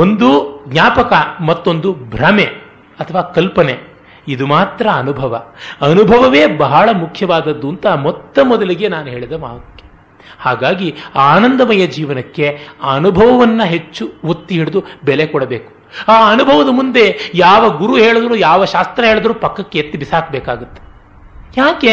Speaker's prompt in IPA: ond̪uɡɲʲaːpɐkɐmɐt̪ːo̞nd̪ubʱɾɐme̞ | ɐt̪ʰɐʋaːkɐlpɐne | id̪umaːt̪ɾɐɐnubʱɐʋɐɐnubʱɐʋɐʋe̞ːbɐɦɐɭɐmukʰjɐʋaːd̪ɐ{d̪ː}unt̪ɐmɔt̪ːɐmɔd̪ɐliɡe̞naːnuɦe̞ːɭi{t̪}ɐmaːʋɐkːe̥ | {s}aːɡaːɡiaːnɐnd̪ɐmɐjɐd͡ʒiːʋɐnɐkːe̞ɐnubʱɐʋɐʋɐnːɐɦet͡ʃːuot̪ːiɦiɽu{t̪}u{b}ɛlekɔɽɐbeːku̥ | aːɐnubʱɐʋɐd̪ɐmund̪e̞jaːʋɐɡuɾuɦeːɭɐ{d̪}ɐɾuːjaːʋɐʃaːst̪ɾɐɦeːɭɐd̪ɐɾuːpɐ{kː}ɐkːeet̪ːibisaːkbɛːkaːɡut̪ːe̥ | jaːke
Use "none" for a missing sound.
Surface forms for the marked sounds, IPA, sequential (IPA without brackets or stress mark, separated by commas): d̪ː, d̪, h, d̪, b, d̪, kː